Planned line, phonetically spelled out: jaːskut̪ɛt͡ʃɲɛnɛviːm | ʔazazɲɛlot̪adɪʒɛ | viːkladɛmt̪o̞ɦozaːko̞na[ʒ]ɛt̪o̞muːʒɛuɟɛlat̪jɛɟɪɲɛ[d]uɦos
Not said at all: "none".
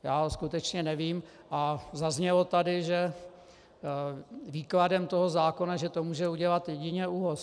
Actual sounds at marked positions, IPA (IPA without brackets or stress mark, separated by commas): ʒ, none